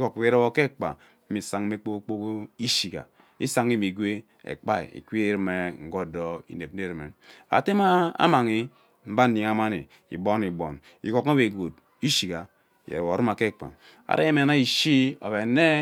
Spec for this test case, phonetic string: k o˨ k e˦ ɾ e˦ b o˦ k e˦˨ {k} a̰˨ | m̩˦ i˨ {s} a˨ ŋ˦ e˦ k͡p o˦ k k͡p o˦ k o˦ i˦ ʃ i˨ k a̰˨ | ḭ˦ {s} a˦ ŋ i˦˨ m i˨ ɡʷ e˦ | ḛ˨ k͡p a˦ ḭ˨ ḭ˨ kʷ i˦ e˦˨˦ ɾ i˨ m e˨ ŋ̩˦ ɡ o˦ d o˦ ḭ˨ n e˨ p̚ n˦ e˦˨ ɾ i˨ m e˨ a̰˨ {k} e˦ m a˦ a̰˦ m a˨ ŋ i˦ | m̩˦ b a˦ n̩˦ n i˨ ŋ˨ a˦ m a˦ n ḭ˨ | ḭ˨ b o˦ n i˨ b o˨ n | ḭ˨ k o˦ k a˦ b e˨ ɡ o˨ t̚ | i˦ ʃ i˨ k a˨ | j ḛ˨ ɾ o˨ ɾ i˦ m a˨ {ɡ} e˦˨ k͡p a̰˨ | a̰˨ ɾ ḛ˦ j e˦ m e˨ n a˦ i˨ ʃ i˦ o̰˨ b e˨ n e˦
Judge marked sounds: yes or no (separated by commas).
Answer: no, yes, yes, no, no